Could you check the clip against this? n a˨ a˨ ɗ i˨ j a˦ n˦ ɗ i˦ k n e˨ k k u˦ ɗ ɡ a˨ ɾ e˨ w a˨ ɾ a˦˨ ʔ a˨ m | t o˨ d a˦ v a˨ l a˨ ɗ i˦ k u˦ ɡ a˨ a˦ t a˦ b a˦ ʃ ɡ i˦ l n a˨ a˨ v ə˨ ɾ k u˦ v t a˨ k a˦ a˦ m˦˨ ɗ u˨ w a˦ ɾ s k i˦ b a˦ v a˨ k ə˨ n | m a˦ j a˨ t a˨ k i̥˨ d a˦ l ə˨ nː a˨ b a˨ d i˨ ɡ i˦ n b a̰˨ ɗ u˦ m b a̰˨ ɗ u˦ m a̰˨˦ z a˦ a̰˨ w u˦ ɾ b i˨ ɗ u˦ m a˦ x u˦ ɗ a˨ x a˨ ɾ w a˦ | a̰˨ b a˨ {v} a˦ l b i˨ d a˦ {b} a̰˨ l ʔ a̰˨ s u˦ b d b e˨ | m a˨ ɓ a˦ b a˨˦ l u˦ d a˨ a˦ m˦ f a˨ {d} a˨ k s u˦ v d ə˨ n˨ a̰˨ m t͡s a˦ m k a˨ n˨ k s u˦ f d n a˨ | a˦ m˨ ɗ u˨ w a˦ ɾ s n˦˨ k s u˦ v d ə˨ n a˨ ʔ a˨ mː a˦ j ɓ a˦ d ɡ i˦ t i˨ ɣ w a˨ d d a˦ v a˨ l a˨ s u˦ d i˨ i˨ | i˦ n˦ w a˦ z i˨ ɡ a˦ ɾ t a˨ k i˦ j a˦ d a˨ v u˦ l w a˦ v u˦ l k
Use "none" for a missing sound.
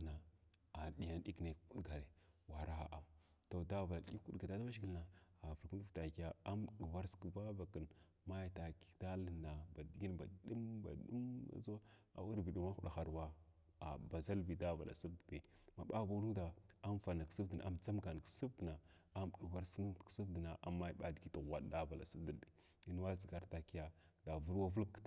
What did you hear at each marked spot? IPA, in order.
z, v, n

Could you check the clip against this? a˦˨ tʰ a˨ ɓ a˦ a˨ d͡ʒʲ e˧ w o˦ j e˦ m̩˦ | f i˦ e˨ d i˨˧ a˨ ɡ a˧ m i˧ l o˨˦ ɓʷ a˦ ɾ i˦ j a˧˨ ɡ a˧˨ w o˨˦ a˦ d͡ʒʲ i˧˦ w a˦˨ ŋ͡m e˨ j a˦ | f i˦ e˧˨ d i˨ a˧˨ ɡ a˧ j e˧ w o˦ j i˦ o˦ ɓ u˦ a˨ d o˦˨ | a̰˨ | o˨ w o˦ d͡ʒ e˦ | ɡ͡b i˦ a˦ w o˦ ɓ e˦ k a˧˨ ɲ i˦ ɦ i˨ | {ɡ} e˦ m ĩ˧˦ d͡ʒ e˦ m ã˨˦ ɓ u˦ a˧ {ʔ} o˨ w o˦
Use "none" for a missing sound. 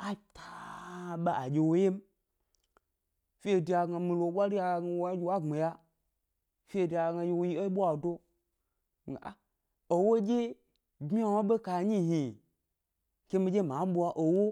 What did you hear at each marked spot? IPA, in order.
k, ʔ

